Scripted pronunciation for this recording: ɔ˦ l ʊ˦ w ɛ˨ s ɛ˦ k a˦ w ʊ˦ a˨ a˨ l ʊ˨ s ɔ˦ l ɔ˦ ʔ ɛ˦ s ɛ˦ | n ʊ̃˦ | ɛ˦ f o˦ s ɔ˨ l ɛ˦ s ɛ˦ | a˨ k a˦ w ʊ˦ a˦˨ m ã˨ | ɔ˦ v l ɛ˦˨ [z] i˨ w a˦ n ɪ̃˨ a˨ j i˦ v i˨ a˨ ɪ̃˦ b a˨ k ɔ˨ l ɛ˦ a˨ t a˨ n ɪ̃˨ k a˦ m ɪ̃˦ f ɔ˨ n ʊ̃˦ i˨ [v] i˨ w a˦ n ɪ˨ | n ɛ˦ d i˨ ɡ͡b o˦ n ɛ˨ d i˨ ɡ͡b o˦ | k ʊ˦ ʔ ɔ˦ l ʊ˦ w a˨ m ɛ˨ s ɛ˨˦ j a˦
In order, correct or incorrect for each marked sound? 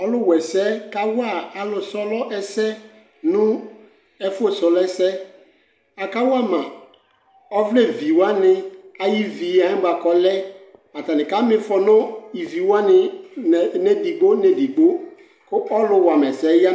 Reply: incorrect: v, correct

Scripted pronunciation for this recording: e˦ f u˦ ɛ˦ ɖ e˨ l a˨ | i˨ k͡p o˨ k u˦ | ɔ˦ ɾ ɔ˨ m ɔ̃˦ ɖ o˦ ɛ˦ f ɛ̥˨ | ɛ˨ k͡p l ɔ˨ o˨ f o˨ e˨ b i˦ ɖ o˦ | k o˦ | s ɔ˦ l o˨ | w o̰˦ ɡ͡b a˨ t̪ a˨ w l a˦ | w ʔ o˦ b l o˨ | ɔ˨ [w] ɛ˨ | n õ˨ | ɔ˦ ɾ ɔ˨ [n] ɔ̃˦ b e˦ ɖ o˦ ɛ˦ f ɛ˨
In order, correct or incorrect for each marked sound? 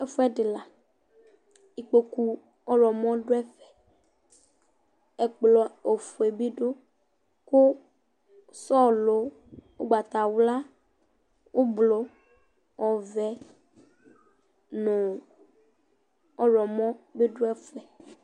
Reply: incorrect: v, incorrect: m

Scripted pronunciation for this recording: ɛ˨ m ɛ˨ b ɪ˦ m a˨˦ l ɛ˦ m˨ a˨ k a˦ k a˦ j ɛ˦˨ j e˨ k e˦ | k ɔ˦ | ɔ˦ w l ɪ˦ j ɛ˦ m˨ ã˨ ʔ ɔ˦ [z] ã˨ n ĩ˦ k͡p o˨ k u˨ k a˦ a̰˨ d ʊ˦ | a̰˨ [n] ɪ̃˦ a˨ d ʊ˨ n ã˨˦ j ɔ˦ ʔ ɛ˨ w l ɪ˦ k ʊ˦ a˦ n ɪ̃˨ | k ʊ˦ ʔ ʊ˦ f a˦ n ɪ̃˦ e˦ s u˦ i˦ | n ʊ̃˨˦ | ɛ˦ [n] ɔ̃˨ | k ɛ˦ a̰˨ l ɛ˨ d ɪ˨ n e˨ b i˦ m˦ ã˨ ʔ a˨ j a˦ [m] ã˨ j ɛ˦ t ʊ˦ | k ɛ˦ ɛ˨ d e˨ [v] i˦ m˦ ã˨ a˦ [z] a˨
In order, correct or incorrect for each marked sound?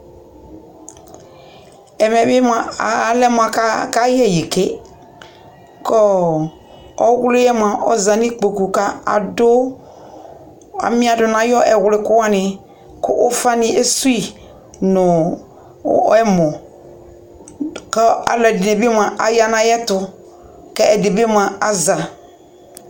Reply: correct, incorrect: m, incorrect: m, incorrect: n, incorrect: b, correct

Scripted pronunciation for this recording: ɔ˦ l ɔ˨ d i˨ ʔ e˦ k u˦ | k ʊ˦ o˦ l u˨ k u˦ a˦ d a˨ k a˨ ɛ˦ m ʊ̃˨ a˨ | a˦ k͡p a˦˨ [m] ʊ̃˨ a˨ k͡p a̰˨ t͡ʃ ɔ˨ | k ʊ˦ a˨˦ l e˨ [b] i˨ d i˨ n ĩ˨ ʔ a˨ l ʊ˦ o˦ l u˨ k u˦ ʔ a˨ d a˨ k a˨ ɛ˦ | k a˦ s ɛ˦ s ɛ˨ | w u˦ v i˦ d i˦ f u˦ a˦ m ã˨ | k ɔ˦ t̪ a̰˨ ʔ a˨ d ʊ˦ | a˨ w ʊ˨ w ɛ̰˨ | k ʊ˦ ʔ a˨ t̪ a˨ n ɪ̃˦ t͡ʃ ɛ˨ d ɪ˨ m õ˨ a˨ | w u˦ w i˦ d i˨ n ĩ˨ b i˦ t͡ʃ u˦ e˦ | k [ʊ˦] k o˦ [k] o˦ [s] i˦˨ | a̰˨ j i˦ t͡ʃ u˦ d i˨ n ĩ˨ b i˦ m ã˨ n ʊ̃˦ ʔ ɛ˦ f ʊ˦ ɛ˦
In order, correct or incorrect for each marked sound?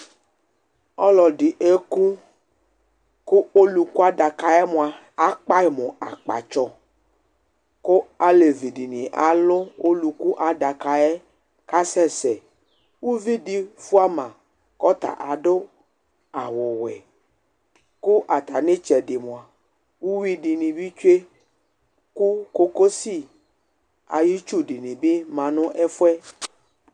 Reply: correct, incorrect: v, incorrect: u˦, correct, correct

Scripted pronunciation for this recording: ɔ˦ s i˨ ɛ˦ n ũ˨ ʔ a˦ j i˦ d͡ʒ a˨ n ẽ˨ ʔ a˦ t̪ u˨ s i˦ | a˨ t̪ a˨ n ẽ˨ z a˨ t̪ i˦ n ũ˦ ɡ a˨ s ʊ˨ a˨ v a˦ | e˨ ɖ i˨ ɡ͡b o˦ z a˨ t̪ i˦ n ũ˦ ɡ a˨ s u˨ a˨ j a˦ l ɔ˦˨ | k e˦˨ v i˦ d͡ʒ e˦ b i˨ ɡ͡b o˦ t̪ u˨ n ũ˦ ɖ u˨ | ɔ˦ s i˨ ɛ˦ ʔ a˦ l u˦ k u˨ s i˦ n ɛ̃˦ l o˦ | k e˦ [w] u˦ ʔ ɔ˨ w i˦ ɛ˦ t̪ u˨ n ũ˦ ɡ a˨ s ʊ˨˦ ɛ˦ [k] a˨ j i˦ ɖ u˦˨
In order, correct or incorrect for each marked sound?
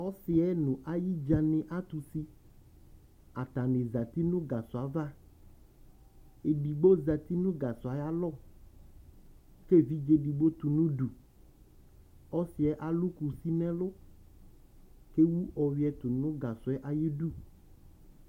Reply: correct, incorrect: ʔ

